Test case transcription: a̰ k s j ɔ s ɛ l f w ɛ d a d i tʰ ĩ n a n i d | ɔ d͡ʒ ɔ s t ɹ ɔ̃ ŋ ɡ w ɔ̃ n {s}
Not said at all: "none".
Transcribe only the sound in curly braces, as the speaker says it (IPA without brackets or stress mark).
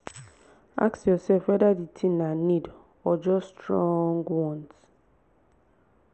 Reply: t